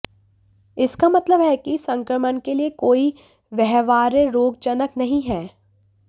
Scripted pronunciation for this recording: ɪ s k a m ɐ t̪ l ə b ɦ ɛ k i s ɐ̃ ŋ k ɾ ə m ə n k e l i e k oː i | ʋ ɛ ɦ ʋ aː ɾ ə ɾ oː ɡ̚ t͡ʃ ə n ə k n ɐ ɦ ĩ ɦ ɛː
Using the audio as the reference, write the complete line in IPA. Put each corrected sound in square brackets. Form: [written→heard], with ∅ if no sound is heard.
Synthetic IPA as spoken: ɪ s k a m ɐ t̪ l ə b ɦ ɛ k i s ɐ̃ ŋ k ɾ ə m ə n k e l i e k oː i | ʋ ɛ ɦ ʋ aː ɾ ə ɾ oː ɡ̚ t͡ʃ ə n ə k n ɐ ɦ ĩ ɦ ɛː

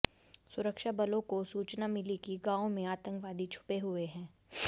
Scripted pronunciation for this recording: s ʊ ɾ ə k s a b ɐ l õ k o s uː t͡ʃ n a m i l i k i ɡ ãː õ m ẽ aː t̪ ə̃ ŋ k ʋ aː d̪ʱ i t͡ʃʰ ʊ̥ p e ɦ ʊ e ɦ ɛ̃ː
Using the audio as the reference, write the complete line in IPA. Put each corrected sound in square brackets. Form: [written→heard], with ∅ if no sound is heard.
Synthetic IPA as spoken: s ʊ ɾ ə k [s→ʃ] a b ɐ l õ k o s uː t͡ʃ n a m [i→ɪ] l i k i ɡ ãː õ m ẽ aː t̪ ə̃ ŋ k ʋ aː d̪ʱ i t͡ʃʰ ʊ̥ p e ɦ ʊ e ɦ ɛ̃ː

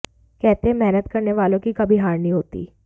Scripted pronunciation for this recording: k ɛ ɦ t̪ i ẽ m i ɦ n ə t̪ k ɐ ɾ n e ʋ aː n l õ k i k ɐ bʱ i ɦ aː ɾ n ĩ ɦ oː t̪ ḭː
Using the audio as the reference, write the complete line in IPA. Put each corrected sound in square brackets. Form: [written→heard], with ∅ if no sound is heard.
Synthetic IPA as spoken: k ɛ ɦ t̪ [i→e] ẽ m [i→ɛ] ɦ n ə t̪ k ɐ ɾ n e ʋ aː [n→∅] l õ k i k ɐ bʱ i ɦ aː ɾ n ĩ ɦ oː t̪ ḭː

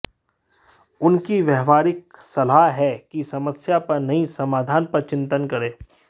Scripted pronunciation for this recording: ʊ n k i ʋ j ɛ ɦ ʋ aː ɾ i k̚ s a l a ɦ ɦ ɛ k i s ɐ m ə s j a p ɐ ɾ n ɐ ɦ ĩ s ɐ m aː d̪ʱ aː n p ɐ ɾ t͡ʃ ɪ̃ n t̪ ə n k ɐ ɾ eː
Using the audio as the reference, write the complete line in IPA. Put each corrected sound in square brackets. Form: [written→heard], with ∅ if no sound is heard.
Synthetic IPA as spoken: ʊ n k i ʋ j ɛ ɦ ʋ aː ɾ [i→ɪ] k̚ s [a→ɐ] l a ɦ ɦ ɛ k i s ɐ m ə s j a p ɐ ɾ n ɐ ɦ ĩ s ɐ m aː d̪ʱ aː n p ɐ ɾ t͡ʃ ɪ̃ n t̪ ə n k ɐ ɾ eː

